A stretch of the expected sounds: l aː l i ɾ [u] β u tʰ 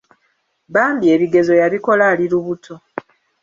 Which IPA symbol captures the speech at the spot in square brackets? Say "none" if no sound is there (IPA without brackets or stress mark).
u